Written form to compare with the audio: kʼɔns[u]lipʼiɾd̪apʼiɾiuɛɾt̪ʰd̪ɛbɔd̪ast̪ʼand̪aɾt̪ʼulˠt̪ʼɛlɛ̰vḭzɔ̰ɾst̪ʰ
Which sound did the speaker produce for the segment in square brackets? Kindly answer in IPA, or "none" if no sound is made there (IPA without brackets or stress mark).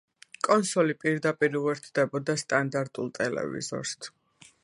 ɔ